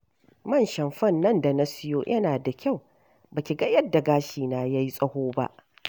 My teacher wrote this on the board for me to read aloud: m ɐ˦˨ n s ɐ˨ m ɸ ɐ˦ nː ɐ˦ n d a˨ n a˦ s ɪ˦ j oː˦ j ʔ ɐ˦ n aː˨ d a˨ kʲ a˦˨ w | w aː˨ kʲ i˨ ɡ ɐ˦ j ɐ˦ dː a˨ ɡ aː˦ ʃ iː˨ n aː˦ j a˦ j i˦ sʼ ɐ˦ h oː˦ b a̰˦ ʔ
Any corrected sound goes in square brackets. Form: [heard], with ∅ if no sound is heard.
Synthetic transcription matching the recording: m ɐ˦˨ n [ʃ] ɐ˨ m ɸ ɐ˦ nː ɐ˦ n d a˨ n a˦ s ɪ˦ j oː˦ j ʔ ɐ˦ n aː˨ d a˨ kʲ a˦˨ w | [b] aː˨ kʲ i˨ ɡ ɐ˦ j ɐ˦ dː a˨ ɡ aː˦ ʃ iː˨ n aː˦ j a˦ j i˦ sʼ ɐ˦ h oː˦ b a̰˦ ʔ

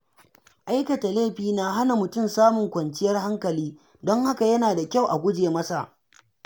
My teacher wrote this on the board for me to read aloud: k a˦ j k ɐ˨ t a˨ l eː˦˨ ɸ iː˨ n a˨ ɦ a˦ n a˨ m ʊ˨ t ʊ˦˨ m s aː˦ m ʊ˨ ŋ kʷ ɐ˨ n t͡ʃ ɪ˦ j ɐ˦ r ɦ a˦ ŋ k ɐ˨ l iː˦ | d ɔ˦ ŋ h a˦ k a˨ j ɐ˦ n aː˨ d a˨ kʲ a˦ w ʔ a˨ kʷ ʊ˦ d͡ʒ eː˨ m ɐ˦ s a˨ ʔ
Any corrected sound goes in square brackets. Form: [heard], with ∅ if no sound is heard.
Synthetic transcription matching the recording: [ʔ] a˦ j k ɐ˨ t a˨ l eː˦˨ ɸ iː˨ n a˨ ɦ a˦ n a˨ m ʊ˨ t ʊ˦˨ m s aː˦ m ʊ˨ ŋ kʷ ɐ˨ n t͡ʃ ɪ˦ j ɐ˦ r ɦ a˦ ŋ k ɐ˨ l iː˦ | d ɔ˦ ŋ h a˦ k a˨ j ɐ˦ n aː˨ d a˨ kʲ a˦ w ʔ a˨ [ɡʷ] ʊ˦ d͡ʒ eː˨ m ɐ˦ s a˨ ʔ

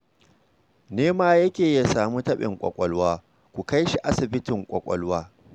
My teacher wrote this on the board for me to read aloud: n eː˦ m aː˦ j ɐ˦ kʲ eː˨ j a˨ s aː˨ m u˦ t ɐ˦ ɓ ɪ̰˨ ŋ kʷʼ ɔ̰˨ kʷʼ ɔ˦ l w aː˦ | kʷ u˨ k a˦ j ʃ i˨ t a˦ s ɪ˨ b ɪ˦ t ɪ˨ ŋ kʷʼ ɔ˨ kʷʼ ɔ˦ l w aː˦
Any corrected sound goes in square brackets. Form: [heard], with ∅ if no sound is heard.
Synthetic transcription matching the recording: n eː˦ m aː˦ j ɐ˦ kʲ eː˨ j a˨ s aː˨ m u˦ t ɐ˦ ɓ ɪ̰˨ ŋ kʷʼ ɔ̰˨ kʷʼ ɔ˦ l w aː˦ | kʷ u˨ k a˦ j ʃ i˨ [ʔ] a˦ s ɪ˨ b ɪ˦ t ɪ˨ ŋ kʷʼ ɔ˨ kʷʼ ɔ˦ l w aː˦

